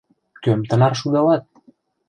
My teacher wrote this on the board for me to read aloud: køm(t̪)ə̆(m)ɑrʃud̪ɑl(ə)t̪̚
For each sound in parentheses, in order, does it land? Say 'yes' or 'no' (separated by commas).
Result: yes, no, no